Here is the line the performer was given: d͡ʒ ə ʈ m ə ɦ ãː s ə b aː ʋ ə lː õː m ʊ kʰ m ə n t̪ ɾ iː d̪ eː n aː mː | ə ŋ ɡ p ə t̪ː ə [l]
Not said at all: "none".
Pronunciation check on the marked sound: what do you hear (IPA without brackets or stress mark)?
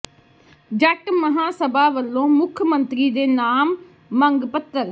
ɾ